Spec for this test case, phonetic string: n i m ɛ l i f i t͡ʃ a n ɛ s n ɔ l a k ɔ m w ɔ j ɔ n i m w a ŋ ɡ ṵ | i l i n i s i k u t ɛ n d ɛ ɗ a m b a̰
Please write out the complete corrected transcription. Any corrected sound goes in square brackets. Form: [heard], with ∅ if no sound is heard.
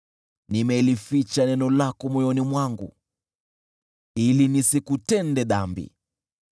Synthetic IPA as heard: n i m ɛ l i f i t͡ʃ a n ɛ [∅] n ɔ l a k ɔ m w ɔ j ɔ n i m w a ŋ ɡ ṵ | i l i n i s i k u t ɛ n d ɛ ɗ a m b [ḭ]